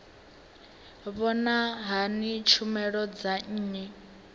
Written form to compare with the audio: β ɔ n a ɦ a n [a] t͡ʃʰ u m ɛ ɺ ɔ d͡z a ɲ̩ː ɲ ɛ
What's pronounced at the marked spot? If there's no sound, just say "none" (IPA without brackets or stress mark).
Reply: i